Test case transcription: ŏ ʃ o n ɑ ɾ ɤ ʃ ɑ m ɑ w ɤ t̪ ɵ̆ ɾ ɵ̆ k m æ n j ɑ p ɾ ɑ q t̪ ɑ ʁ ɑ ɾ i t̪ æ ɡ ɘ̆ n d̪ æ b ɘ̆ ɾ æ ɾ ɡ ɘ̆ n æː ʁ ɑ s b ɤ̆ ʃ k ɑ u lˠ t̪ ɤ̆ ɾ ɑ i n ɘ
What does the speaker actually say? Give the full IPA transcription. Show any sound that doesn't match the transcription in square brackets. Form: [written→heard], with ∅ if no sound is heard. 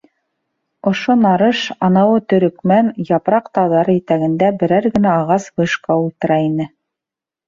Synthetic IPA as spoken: ŏ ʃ o n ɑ ɾ ɤ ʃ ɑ [m→n] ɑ w ɤ t̪ ɵ̆ ɾ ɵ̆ k m æ n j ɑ p ɾ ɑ q t̪ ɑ [ʁ→ð] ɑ ɾ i t̪ æ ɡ ɘ̆ n d̪ æ b ɘ̆ ɾ æ ɾ ɡ ɘ̆ n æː ʁ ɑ s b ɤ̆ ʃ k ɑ u lˠ t̪ ɤ̆ ɾ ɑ i n ɘ

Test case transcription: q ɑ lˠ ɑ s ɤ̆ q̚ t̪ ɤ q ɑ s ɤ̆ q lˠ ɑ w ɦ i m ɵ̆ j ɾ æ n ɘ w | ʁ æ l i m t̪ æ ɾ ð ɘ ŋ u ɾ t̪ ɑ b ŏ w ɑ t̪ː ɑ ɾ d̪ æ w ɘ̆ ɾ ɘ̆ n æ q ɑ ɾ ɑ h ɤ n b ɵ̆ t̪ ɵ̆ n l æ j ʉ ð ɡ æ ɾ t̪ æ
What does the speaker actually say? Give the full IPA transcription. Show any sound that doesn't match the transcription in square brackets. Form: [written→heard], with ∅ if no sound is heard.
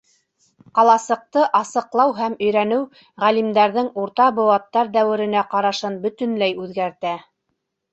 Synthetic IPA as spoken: q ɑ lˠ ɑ s ɤ̆ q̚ t̪ ɤ [q→ʔ] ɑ s ɤ̆ q lˠ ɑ w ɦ [i→æ] m ɵ̆ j ɾ æ n ɘ w | ʁ æ l i m [t̪→d̪] æ ɾ ð ɘ ŋ u ɾ t̪ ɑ b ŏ w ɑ t̪ː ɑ ɾ d̪ æ w ɘ̆ ɾ ɘ̆ n æ q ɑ ɾ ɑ [h→ʃ] ɤ n b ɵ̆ t̪ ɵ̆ n l æ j ʉ ð ɡ æ ɾ t̪ æ

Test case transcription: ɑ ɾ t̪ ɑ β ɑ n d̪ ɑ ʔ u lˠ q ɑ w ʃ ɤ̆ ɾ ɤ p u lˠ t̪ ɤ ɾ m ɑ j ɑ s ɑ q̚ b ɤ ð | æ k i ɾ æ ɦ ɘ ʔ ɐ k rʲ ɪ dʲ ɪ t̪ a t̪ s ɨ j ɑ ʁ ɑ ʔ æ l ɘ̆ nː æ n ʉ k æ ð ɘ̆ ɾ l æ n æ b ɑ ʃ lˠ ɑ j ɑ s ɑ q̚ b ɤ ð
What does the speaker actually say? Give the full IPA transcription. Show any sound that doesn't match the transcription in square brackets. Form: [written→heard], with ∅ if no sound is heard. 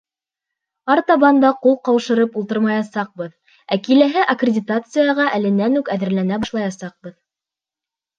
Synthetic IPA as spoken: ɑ ɾ t̪ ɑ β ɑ n d̪ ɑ [ʔ→q] u lˠ q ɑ w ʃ ɤ̆ ɾ ɤ p u lˠ t̪ ɤ ɾ m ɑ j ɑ s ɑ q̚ b ɤ ð | æ k i [ɾ→l] æ ɦ ɘ ʔ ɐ k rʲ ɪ dʲ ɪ t̪ a t̪ s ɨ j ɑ ʁ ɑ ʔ æ l ɘ̆ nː æ n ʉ k æ ð ɘ̆ ɾ l æ n æ b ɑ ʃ lˠ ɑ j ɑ s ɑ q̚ b ɤ ð

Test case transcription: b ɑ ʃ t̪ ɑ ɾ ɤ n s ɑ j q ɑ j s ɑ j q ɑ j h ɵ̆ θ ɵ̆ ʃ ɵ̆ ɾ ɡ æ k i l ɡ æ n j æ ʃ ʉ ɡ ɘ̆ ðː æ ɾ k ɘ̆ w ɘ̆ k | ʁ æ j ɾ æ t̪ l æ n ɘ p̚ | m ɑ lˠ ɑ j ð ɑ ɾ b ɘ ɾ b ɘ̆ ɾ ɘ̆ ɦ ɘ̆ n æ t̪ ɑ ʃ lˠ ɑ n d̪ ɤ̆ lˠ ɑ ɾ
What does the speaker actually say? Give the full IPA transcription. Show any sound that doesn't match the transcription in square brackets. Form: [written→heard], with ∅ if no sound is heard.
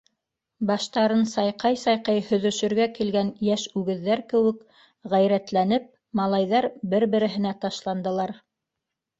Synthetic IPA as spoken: b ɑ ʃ t̪ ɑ ɾ ɤ n s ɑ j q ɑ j s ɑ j q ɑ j h ɵ̆ [θ→ð] ɵ̆ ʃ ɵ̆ ɾ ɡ æ k i l ɡ æ n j æ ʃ ʉ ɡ ɘ̆ ðː æ ɾ k ɘ̆ w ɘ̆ k | ʁ æ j ɾ æ t̪ l æ n ɘ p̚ | m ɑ lˠ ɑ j ð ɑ ɾ b ɘ ɾ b ɘ̆ ɾ ɘ̆ ɦ ɘ̆ n æ t̪ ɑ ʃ lˠ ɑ n d̪ ɤ̆ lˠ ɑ ɾ

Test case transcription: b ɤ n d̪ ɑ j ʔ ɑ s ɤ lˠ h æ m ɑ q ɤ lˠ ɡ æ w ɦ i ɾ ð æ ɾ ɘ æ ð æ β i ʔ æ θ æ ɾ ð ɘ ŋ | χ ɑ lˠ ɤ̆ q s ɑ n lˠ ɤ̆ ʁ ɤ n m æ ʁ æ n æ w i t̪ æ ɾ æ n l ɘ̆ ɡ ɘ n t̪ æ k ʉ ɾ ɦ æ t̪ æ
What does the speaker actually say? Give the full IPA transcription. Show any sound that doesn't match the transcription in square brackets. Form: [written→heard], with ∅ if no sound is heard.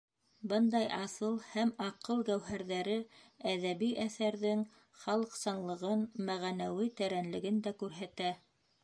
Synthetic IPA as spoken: b ɤ n d̪ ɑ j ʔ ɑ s ɤ lˠ h æ m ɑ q ɤ lˠ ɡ æ w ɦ [i→æ] ɾ ð æ ɾ ɘ æ ð æ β i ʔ æ θ æ ɾ ð ɘ ŋ | χ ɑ lˠ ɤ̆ q s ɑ n lˠ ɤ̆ ʁ ɤ n m æ ʁ æ n æ w i t̪ æ ɾ æ n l ɘ̆ ɡ ɘ n [t̪→d̪] æ k ʉ ɾ ɦ æ t̪ æ

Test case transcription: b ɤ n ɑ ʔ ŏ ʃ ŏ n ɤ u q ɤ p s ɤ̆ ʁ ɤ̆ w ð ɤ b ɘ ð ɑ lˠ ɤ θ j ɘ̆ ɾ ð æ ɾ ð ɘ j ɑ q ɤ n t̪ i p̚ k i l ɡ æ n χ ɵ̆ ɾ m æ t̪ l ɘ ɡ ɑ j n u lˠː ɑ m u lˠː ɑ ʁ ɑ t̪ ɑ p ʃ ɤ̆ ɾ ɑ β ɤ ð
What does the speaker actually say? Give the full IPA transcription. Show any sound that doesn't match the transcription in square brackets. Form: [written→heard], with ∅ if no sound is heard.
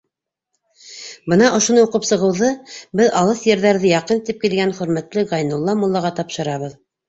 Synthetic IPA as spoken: b ɤ n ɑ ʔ ŏ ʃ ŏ n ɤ u q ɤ p s ɤ̆ ʁ ɤ̆ w ð ɤ b ɘ ð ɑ lˠ ɤ θ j ɘ̆ ɾ ð æ ɾ ð ɘ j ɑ q ɤ n t̪ i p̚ k i l ɡ æ n χ ɵ̆ ɾ m æ t̪ l ɘ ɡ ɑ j n u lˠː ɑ m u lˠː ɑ ʁ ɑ t̪ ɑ p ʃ ɤ̆ ɾ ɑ β ɤ ð

